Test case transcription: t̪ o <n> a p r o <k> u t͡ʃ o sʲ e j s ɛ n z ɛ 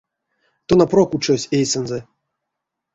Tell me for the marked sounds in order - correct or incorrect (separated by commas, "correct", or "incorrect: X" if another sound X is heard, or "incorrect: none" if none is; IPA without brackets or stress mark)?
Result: correct, correct